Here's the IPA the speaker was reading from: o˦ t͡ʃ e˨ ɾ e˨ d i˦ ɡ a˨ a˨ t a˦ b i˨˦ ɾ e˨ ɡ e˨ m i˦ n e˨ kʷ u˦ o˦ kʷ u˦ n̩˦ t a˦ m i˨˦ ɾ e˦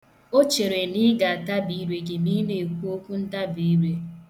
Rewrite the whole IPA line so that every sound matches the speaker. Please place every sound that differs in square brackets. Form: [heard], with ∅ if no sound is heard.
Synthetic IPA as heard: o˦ t͡ʃ e˨ ɾ e˨ [n] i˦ ɡ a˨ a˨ t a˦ b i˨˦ ɾ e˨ ɡ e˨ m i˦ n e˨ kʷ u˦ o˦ kʷ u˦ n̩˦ t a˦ [b] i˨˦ ɾ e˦

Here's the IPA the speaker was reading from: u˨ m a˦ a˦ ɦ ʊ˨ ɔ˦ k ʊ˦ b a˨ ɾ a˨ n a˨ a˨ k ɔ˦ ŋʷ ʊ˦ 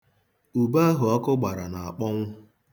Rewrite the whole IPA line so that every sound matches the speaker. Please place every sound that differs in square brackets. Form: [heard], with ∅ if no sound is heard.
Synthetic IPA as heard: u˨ [b] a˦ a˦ ɦ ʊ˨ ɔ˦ k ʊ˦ [ɡ͡b] a˨ ɾ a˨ n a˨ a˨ [k͡p] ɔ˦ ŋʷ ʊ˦

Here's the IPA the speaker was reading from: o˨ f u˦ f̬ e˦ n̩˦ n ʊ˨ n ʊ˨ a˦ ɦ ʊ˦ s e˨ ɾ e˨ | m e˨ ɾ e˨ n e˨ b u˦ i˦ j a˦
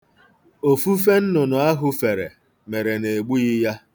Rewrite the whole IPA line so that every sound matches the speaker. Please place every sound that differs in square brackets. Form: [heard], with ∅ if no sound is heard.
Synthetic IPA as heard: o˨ f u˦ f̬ e˦ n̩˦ n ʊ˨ n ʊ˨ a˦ ɦ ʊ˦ [f] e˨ ɾ e˨ | m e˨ ɾ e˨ n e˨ [ɡ͡b] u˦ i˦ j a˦

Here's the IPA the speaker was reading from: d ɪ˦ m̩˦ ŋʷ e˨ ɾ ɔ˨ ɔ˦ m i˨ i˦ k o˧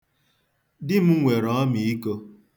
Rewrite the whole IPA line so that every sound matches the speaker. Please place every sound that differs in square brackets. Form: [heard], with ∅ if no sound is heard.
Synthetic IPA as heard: d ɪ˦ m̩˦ ŋʷ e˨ ɾ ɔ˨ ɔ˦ m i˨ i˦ k o˧

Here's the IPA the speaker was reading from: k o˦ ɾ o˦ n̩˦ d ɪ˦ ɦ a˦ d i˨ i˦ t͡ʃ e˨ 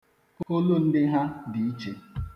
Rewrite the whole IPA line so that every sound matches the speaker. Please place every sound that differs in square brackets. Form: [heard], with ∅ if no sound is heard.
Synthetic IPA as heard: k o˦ [l] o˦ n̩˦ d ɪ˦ ɦ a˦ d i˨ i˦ t͡ʃ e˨

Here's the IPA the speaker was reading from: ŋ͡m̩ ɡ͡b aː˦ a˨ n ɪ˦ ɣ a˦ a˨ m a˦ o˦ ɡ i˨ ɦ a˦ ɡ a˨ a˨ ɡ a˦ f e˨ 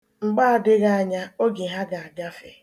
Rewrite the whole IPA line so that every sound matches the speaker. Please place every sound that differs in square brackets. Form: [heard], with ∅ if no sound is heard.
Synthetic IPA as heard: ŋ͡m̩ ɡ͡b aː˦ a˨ [d] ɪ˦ ɣ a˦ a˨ [ɲ] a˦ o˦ ɡ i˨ ɦ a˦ ɡ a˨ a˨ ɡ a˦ f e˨

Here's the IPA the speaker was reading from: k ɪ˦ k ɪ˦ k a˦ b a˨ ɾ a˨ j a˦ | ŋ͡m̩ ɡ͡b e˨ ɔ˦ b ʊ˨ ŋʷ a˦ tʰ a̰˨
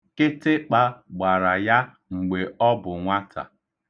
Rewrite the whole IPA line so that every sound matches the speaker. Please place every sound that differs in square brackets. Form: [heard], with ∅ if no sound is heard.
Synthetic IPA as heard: k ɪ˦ [t] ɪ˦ [k͡p] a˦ [ɡ͡b] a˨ ɾ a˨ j a˦ | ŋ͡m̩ ɡ͡b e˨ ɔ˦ b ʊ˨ ŋʷ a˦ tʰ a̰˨

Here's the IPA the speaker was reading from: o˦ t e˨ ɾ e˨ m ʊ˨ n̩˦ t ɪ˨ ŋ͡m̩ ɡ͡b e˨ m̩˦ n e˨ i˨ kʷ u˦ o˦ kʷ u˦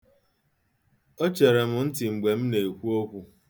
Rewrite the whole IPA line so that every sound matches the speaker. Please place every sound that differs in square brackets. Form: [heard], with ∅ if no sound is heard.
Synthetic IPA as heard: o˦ [t͡ʃ] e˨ ɾ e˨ m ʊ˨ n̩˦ t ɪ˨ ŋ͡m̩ ɡ͡b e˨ m̩˦ n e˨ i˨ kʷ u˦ o˦ kʷ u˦

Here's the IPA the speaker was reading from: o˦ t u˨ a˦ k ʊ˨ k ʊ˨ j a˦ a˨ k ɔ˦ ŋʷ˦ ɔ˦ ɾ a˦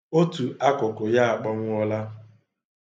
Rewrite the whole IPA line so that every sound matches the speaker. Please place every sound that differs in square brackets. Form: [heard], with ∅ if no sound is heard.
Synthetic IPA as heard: o˦ t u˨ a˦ k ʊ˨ k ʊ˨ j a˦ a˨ [k͡p] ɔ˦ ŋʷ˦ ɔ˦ [l] a˦

